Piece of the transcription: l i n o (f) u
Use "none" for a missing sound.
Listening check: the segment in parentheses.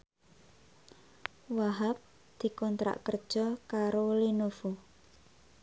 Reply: f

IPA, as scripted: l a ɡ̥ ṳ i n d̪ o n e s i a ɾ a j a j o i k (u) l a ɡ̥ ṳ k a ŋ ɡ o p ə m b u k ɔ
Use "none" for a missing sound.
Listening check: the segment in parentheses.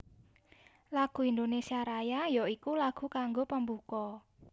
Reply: u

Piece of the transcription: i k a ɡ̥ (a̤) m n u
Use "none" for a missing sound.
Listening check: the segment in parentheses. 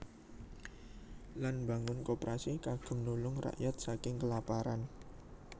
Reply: ə̤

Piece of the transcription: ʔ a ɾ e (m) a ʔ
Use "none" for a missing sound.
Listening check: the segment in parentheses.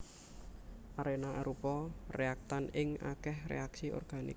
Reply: n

